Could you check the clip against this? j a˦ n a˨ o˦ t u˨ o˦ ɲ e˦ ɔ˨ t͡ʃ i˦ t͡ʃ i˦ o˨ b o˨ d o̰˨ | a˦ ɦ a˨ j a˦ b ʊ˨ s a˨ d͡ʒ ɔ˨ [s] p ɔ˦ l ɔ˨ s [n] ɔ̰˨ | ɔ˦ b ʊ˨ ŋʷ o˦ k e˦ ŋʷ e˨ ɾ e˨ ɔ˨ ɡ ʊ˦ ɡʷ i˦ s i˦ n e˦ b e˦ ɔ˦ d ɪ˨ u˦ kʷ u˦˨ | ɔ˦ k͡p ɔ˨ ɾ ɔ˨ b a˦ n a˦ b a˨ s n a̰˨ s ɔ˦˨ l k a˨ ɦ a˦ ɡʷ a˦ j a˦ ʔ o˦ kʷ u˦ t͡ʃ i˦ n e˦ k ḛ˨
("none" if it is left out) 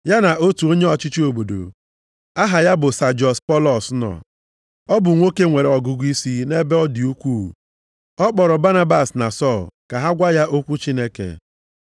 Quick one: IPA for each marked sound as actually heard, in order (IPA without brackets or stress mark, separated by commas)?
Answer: s, n